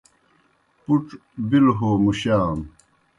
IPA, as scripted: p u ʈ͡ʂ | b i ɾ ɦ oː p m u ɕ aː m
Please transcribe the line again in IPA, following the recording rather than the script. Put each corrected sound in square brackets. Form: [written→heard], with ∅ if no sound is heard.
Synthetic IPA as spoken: p u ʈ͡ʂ | b i [ɾ→l] ɦ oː [p→∅] m u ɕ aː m